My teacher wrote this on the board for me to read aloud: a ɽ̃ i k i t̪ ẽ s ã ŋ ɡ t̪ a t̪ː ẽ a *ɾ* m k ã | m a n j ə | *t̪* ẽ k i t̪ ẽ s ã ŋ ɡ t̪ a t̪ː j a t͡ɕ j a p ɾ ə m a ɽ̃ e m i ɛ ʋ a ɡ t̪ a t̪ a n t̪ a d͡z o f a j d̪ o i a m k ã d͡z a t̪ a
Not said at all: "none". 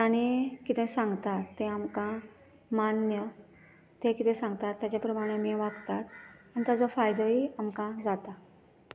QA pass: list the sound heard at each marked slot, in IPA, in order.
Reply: none, t̪

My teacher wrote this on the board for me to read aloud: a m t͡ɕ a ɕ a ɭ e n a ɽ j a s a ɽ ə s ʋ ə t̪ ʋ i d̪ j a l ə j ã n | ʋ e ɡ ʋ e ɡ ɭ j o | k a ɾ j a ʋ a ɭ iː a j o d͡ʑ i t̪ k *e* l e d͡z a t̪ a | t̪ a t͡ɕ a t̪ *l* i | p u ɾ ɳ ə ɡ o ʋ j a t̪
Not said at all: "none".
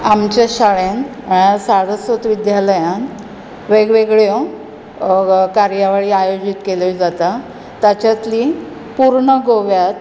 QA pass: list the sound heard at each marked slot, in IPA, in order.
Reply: e, l

